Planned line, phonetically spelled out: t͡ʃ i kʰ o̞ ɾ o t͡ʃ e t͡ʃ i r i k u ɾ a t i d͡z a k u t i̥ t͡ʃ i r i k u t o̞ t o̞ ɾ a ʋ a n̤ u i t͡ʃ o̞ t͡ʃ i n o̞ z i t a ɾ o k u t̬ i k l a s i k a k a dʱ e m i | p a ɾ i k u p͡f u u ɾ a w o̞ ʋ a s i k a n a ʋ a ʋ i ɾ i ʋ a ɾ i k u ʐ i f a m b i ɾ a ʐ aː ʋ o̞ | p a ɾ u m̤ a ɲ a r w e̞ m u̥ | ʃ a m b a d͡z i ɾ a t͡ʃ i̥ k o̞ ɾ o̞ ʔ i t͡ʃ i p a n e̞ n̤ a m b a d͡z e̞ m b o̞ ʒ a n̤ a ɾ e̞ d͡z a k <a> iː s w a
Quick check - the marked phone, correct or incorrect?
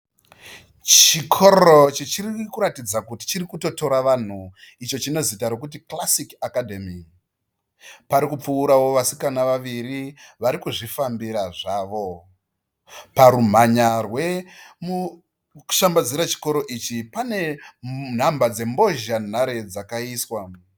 correct